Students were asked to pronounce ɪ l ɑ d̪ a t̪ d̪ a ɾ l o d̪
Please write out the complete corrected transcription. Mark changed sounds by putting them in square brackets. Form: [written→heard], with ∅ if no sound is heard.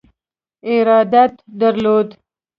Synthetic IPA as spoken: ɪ [l→ɾ] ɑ d̪ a t̪ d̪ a ɾ l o d̪